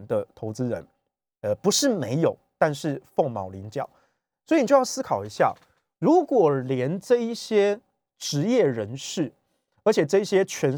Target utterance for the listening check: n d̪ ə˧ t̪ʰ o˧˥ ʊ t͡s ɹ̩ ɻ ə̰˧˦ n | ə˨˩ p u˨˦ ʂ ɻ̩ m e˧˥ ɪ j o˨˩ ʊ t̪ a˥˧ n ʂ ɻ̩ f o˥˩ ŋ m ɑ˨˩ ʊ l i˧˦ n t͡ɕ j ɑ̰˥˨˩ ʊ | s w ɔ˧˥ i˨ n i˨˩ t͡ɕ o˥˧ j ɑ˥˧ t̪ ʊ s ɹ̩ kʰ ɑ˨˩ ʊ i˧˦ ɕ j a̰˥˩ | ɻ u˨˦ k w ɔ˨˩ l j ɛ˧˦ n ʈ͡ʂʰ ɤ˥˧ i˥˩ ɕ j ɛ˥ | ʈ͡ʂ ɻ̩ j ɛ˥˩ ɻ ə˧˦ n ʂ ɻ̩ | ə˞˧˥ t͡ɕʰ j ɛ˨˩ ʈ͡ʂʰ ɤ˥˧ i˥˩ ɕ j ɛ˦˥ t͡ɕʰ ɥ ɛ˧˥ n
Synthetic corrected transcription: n d̪ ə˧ t̪ʰ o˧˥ ʊ t͡s ɹ̩ ɻ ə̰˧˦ n | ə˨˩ p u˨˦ ʂ ɻ̩ m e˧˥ ɪ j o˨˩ ʊ t̪ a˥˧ n ʂ ɻ̩ f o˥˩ ŋ m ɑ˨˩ ʊ l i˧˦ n t͡ɕ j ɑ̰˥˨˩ ʊ | s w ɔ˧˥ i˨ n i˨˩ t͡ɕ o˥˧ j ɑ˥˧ ʊ s ɹ̩ kʰ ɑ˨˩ ʊ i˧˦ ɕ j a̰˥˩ | ɻ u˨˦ k w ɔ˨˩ l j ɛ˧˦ n ʈ͡ʂ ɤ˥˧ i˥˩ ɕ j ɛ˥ | ʈ͡ʂ ɻ̩ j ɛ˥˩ ɻ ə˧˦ n ʂ ɻ̩ | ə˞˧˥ t͡ɕʰ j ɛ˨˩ ʈ͡ʂ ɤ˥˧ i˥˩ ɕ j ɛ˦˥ t͡ɕʰ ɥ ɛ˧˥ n